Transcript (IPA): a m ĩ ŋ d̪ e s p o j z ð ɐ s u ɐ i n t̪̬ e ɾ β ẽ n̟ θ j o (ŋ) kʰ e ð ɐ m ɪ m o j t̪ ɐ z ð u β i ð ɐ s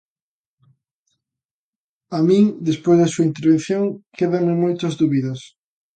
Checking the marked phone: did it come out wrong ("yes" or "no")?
no